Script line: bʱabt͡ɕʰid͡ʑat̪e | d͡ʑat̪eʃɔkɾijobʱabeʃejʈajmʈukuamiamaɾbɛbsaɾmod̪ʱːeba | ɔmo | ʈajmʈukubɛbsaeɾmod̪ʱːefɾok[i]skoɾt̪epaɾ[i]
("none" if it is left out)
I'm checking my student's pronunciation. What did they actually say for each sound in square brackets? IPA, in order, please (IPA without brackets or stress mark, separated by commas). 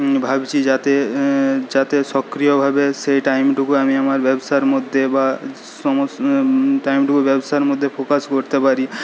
a, i